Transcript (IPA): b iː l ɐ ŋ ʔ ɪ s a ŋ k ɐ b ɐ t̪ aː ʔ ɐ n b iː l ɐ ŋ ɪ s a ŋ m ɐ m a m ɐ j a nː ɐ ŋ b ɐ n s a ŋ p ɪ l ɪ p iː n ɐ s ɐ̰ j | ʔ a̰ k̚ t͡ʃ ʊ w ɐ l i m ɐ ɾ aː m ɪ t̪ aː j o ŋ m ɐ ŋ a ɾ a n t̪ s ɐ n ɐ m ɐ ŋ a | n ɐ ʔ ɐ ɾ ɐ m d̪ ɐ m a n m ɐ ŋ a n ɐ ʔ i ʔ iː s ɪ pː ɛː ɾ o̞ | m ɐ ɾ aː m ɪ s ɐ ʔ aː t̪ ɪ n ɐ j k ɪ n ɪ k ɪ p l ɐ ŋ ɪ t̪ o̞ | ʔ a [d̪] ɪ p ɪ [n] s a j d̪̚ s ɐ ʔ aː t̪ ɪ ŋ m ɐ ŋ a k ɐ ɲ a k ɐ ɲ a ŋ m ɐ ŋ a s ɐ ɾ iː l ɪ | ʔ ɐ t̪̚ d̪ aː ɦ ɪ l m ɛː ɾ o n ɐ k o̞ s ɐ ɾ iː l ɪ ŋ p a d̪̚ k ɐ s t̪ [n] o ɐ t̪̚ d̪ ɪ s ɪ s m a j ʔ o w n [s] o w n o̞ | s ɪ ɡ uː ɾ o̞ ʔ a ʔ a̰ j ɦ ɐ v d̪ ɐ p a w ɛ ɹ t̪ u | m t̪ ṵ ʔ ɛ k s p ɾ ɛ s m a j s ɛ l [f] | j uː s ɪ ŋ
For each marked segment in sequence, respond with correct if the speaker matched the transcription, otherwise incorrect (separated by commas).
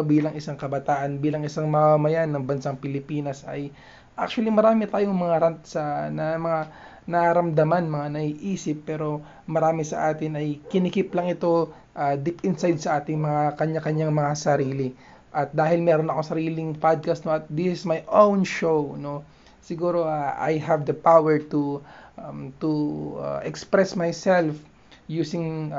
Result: correct, correct, correct, incorrect, correct